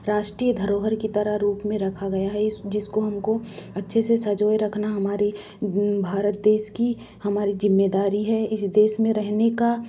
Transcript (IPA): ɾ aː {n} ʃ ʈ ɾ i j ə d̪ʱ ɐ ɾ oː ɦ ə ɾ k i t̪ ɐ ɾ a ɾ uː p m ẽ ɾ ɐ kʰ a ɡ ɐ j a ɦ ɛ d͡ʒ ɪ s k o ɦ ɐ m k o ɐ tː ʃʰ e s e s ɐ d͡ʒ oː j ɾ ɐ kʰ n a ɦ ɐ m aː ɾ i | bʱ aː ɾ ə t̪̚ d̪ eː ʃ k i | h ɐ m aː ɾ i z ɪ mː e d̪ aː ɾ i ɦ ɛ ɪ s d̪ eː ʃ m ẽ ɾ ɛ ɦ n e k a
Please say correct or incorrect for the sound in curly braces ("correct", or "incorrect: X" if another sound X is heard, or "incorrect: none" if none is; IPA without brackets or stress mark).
incorrect: none